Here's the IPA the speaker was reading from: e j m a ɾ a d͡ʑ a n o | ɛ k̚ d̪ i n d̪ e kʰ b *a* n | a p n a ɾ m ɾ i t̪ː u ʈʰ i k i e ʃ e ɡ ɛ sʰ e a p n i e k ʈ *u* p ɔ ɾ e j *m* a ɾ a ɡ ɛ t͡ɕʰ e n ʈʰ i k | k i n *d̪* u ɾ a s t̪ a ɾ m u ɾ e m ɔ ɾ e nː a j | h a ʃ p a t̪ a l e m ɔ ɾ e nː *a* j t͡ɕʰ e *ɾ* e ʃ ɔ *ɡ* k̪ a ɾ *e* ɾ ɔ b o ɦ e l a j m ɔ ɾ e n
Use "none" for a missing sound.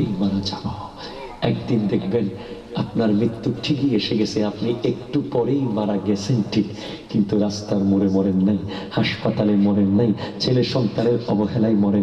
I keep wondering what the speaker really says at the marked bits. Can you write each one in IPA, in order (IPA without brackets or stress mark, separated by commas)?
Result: e, u, m, t̪, a, l, ŋ, e